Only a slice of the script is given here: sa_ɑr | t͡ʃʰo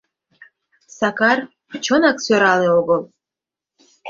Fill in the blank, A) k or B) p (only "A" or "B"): A